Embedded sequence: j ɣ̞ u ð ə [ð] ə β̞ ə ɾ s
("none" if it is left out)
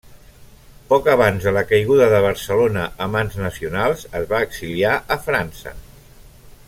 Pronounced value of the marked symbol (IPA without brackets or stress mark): ð